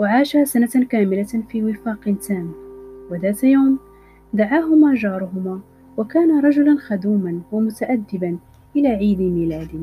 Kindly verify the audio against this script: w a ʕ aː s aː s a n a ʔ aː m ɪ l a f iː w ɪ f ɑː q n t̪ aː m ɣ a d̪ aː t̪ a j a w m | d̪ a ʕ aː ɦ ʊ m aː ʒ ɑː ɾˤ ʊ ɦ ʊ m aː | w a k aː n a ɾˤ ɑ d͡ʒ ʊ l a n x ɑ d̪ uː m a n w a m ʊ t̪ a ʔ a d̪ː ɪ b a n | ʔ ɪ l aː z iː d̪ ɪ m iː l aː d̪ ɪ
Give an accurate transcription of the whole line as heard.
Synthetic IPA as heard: w a ʕ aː ʃ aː s a n a k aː m ɪ l a f iː w ɪ f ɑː q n t̪ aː m w a d̪ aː t̪ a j a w m | d̪ a ʕ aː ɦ ʊ m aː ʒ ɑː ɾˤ ʊ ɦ ʊ m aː | w a k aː n a ɾˤ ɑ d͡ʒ ʊ l a n x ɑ d̪ uː m a n w a m ʊ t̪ a ʔ a d̪ː ɪ b a n | ʔ ɪ l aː ʕ iː d̪ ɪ m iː l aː d̪ ɪ